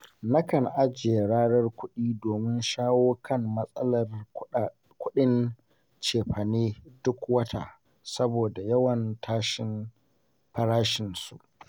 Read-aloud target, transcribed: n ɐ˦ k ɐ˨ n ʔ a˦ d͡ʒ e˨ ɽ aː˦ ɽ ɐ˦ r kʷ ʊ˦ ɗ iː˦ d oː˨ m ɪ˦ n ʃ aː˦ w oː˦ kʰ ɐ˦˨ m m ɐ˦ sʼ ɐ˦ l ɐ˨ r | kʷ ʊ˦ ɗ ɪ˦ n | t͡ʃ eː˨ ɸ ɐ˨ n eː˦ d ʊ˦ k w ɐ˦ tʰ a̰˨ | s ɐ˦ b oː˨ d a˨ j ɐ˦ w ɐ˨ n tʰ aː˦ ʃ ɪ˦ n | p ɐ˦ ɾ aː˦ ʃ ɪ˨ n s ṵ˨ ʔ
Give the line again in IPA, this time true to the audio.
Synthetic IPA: n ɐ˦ k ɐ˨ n ʔ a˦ d͡ʒ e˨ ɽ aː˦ ɽ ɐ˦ r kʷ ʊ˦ ɗ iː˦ d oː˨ m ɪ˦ n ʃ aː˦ w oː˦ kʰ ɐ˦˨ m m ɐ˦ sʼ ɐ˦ l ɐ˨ r | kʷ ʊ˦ ɗ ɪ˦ n | t͡ʃ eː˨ ɸ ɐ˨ n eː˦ d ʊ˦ k w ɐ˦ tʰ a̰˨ | s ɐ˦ b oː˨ d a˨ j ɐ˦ w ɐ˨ n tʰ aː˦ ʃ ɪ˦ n | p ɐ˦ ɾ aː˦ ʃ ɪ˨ n s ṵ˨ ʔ